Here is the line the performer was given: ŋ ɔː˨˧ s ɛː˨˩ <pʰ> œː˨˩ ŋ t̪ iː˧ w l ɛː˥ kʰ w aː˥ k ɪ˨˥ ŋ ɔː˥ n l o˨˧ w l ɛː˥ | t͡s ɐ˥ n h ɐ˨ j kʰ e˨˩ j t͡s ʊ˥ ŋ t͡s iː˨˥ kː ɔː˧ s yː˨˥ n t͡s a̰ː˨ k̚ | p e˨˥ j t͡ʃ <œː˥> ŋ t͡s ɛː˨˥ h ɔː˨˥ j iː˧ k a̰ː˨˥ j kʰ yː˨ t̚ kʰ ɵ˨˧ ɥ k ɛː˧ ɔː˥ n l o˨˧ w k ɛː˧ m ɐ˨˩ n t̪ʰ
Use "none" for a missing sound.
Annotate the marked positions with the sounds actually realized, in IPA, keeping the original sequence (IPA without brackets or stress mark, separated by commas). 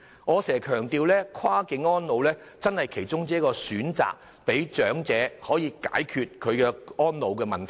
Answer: kʰ, œː˨˥